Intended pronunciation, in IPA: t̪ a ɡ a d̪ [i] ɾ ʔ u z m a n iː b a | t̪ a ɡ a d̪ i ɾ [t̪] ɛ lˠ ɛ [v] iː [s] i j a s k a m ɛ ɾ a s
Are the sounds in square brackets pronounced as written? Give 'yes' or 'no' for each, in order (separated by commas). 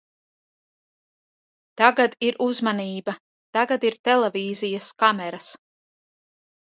yes, yes, yes, no